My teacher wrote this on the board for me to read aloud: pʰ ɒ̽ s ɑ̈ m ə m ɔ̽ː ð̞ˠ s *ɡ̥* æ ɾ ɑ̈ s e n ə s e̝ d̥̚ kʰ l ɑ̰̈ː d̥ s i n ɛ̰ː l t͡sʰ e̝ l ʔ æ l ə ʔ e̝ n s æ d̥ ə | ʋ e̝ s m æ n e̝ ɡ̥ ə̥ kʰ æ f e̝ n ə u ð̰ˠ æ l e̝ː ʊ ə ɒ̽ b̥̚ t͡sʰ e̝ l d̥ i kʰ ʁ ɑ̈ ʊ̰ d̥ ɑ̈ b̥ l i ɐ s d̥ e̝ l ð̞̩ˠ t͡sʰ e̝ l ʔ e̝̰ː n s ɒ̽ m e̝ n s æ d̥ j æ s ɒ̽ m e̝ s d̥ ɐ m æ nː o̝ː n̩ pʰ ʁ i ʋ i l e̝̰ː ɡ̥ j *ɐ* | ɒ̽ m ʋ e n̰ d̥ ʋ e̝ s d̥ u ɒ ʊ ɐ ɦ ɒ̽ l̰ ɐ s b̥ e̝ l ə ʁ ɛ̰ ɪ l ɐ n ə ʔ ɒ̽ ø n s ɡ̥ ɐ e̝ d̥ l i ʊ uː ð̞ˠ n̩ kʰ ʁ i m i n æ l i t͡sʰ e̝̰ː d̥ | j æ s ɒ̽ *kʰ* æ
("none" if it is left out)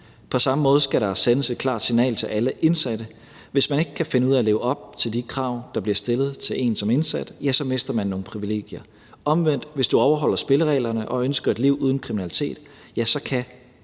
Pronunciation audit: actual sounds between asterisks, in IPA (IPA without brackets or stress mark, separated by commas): ɡ̥, ɐ, kʰ